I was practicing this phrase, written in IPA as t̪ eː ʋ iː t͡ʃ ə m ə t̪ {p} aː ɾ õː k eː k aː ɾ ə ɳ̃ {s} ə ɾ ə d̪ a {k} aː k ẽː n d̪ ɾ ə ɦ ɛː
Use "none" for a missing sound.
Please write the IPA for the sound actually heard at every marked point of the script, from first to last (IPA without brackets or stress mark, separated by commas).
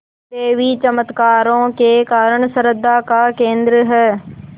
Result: k, s, k